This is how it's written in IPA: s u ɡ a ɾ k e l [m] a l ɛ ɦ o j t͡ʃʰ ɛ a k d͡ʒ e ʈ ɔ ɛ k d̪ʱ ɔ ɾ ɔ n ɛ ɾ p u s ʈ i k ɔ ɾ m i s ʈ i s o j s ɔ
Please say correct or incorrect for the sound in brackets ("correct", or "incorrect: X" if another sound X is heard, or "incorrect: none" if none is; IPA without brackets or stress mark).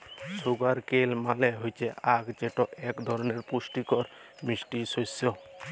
correct